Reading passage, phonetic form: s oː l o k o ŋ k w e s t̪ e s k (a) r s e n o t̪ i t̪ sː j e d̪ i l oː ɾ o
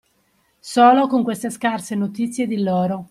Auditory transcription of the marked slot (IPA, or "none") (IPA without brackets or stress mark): a